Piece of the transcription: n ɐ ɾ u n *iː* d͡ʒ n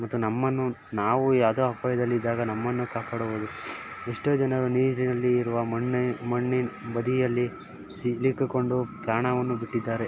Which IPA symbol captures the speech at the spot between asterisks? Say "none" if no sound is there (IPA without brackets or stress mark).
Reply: iː